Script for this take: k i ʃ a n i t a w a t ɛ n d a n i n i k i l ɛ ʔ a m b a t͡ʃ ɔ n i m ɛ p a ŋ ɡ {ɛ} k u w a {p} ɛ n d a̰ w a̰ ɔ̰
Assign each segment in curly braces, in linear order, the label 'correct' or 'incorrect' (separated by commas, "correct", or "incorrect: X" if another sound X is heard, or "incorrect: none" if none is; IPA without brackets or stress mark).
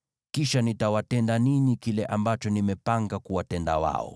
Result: incorrect: a, incorrect: t